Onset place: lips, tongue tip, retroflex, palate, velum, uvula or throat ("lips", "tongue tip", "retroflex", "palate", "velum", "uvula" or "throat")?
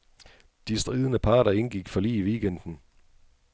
tongue tip